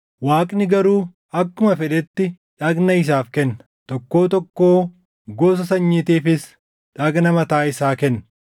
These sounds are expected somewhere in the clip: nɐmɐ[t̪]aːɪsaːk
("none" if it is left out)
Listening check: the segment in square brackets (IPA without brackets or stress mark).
t̪